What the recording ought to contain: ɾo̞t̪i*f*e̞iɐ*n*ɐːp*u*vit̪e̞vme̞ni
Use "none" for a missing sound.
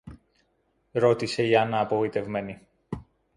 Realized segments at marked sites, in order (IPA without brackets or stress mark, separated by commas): s, n, o